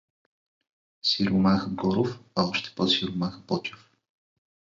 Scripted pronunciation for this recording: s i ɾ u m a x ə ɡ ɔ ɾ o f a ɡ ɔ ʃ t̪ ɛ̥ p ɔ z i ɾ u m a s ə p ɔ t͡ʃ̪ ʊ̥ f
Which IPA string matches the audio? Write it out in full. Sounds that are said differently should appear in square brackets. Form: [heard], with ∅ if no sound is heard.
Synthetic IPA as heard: s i ɾ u m a x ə ɡ ɔ ɾ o f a [∅] ɔ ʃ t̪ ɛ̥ p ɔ [s] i ɾ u m a [x] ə p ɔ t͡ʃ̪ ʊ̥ f